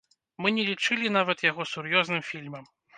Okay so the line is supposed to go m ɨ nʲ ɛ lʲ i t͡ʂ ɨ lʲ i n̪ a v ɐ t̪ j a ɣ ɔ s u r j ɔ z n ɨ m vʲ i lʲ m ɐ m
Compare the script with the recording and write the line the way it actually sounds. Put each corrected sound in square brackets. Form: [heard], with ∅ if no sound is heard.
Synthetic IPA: m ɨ nʲ ɛ lʲ i t͡ʂ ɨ lʲ i n̪ a v ɐ t̪ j a ɣ ɔ s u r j ɔ z n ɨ m [fʲ] i lʲ m ɐ m